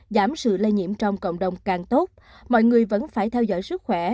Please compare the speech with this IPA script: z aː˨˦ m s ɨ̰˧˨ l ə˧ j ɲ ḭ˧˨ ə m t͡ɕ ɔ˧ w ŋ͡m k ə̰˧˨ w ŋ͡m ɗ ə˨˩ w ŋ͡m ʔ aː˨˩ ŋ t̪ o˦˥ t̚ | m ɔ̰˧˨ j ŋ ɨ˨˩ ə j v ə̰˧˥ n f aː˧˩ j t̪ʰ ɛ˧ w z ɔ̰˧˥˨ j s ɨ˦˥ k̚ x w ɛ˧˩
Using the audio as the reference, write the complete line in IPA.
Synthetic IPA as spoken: z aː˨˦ m s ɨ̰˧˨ l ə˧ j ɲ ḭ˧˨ ə m t͡ɕ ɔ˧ w ŋ͡m k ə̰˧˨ w ŋ͡m ɗ ə˨˩ w ŋ͡m k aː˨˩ ŋ t̪ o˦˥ t̚ | m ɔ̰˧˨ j ŋ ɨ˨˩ ə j v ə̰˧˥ n f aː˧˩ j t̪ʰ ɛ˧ w z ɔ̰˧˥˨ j s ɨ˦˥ k̚ x w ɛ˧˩